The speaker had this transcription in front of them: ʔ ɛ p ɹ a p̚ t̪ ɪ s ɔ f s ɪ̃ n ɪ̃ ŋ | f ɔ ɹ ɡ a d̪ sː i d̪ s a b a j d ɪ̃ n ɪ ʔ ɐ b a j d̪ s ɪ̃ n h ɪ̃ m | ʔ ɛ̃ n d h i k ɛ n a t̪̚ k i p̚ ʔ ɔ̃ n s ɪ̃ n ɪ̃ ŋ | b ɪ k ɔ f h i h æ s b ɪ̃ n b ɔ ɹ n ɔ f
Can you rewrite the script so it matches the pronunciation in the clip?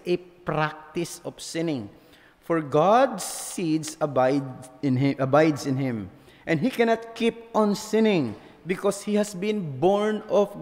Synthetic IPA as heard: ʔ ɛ p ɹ a k̚ t̪ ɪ s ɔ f s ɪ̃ n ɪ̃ ŋ | f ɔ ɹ ɡ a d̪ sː i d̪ s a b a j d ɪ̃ n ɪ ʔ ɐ b a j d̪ s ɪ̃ n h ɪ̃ m | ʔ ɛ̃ n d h i k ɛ n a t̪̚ k i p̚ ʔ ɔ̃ n s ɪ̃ n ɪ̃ ŋ | b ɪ k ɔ s h i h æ s b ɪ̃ n b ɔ ɹ n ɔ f